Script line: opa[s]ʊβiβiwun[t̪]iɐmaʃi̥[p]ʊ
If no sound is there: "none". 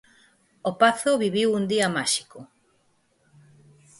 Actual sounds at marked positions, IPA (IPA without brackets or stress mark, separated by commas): θ, d̪, k